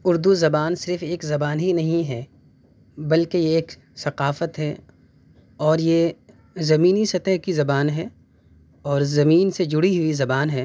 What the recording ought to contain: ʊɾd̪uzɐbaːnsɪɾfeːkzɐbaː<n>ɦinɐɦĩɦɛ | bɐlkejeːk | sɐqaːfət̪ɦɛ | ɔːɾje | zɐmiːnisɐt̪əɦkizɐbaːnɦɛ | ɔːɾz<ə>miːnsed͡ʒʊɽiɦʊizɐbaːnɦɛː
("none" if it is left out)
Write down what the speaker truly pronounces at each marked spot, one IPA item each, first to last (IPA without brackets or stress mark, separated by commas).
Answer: n, ɐ